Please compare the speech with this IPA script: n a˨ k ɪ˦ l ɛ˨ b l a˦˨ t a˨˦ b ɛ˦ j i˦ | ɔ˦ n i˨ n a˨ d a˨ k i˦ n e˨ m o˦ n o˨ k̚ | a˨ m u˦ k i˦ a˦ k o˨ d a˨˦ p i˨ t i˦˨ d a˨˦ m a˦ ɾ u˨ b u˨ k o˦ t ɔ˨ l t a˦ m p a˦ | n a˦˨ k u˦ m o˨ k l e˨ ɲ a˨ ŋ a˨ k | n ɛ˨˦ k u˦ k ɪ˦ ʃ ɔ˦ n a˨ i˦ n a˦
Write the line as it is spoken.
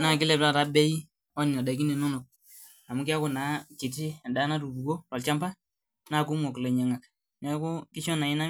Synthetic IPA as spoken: n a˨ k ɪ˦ l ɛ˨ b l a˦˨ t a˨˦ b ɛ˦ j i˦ | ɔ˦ n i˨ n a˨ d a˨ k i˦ n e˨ n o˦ n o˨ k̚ | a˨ m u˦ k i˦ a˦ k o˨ n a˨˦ k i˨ t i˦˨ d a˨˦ n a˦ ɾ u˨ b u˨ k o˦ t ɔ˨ l t͡ʃ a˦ m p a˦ | n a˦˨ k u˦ m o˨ k l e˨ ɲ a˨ ŋ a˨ k | n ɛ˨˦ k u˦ k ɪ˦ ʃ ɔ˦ n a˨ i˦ n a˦